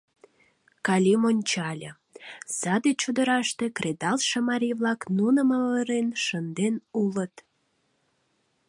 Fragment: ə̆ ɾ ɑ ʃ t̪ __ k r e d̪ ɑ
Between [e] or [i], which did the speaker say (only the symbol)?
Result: e